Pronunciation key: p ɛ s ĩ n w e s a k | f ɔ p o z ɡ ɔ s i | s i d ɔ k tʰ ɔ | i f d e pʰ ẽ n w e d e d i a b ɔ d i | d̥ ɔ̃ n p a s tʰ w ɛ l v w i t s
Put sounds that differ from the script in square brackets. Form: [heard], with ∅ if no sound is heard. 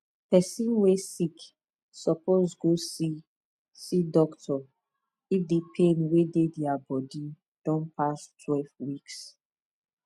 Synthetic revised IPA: p ɛ s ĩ n w e s [i] k | [s] ɔ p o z ɡ [o] s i | s i d ɔ k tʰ ɔ | i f d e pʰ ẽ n w e d e d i a b ɔ d i | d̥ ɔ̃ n p a s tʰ w ɛ l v w i [k] s